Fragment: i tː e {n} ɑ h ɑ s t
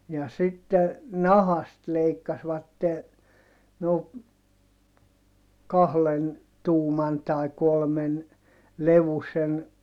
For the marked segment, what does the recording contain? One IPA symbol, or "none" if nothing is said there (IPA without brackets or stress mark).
n